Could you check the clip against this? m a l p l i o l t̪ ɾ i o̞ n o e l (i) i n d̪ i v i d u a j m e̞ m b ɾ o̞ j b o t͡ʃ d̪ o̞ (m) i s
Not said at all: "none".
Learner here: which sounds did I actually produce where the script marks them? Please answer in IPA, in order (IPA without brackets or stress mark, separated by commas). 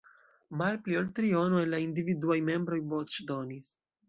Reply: a, n